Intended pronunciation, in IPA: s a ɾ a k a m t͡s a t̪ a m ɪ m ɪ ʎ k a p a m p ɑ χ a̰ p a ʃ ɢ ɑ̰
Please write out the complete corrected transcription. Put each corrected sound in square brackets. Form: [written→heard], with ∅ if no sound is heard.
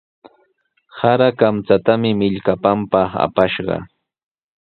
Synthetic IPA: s a ɾ a k a m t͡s a t̪ a m ɪ m ɪ ʎ k a p a m p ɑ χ a̰ p a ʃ ɢ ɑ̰